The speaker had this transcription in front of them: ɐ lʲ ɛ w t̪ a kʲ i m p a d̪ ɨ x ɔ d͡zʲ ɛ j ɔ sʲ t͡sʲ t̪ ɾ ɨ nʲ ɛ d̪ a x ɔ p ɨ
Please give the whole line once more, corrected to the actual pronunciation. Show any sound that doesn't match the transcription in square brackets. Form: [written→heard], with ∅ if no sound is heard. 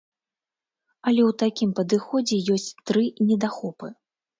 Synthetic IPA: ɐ lʲ ɛ w t̪ a kʲ i m p [a→ɐ] d̪ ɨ x ɔ d͡zʲ ɛ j ɔ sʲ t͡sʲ t̪ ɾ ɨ nʲ ɛ d̪ a x ɔ p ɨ